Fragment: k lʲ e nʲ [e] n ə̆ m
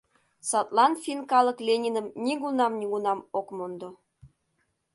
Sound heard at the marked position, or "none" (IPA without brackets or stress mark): i